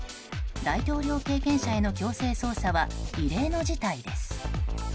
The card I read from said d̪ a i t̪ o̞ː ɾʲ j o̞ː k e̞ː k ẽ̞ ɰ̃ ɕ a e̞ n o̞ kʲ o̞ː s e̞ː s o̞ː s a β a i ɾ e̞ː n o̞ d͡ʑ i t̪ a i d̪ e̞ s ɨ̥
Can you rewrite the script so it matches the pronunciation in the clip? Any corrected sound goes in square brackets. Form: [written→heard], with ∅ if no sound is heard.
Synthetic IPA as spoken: d̪ a i t̪ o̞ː ɾʲ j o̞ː k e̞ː k ẽ̞ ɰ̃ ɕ a e̞ n o̞ kʲ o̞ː s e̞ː s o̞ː s a β a i ɾ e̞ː n o̞ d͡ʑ i t̪ a i d̪ e̞ s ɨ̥